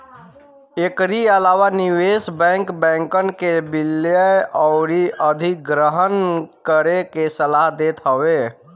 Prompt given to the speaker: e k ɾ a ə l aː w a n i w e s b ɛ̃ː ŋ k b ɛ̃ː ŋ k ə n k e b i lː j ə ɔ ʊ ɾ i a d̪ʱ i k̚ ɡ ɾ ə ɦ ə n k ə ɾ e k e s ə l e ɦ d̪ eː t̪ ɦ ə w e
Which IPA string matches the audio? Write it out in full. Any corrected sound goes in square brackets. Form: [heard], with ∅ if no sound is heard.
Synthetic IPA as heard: e k ɾ [i] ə l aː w a n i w e s b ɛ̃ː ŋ k b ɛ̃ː ŋ k ə n k e b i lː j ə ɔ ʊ ɾ i [ə] d̪ʱ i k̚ ɡ ɾ ə ɦ ə n k ə ɾ e k e s ə l [a] ɦ d̪ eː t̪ ɦ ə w e